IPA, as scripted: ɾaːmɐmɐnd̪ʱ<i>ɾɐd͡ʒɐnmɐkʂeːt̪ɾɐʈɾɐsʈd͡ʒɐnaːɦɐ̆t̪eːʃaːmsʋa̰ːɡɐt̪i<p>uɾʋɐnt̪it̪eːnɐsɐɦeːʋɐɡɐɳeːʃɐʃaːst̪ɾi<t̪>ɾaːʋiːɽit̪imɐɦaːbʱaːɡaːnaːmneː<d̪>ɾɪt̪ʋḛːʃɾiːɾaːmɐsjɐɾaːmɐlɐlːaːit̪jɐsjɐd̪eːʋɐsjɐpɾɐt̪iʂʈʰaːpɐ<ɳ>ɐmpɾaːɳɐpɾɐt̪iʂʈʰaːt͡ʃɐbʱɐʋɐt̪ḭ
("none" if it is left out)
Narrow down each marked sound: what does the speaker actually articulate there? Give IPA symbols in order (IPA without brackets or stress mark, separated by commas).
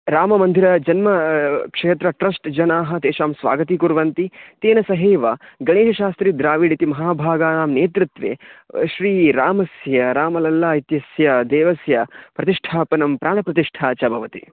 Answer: i, k, d̪, t̪, n